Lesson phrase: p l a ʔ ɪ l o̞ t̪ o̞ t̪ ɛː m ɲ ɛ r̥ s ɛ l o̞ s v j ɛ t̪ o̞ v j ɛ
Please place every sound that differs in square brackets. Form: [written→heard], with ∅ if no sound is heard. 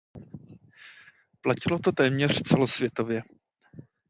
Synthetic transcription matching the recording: p l a [ʔ→c] ɪ l o̞ t̪ o̞ t̪ ɛː m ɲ ɛ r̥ [s→t͡s] ɛ l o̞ s v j ɛ t̪ o̞ v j ɛ